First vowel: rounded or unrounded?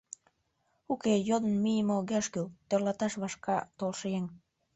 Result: rounded